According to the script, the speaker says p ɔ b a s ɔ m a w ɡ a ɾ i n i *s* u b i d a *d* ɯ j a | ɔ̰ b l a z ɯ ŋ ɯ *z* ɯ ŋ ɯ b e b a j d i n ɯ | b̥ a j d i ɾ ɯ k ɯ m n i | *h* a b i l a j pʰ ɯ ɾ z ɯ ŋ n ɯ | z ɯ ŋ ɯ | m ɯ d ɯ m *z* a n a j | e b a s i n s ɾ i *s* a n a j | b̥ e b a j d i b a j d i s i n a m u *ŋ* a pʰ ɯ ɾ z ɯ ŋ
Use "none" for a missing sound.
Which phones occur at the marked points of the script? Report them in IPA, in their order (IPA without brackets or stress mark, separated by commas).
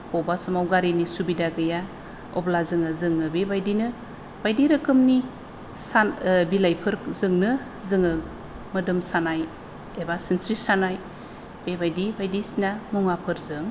s, ɡ, z, s, s, s, ŋ